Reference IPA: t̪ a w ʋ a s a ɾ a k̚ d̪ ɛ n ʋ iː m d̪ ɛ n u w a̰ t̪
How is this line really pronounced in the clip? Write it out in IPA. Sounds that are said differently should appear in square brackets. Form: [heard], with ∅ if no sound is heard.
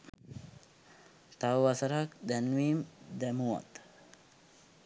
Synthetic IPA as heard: t̪ a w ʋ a s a ɾ a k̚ d̪ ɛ n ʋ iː m d̪ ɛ [m] u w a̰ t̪